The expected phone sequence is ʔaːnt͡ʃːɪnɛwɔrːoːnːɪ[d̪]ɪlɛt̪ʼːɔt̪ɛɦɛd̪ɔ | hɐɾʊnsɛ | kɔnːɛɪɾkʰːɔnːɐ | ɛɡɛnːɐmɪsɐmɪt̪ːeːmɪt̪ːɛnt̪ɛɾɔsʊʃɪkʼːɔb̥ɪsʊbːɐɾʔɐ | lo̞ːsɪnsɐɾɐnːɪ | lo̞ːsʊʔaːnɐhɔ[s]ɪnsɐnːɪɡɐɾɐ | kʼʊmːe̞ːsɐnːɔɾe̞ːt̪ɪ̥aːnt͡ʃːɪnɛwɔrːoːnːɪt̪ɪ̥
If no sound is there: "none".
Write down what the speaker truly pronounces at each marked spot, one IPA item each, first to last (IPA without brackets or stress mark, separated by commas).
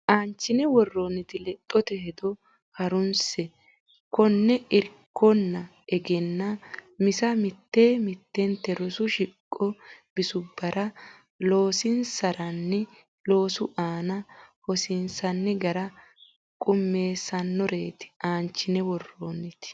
t̪, s